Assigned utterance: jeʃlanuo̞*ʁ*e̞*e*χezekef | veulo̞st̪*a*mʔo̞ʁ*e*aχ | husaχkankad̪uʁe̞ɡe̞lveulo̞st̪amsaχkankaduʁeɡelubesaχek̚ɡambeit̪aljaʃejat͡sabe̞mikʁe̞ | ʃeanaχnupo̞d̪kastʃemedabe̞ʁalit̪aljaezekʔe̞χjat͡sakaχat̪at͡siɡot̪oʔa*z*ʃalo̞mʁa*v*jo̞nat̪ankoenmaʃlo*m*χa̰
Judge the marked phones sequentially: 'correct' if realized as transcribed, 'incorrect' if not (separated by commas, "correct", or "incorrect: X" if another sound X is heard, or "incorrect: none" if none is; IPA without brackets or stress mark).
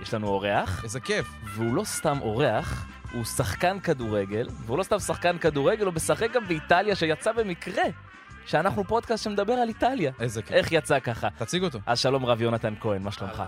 correct, incorrect: a, correct, correct, correct, correct, correct